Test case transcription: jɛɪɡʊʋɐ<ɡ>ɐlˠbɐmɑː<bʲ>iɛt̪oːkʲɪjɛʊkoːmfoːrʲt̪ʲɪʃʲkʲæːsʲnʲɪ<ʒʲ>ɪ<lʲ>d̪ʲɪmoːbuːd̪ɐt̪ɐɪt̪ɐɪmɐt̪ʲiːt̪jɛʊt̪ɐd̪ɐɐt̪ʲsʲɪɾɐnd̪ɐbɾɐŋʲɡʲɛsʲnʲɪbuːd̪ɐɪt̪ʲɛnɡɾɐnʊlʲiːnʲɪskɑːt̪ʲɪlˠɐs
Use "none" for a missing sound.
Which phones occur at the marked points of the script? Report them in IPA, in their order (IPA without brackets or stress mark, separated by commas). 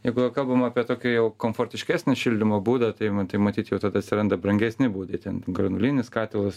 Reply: k, pʲ, ʃʲ, lʲ